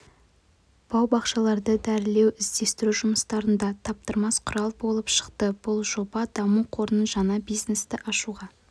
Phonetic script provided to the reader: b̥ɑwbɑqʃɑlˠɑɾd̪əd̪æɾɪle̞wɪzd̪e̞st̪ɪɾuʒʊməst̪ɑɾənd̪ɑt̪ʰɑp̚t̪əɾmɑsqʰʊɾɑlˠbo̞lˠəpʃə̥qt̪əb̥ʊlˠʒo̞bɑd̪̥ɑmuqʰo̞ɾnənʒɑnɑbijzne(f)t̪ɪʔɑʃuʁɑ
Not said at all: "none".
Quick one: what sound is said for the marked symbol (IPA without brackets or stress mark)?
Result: s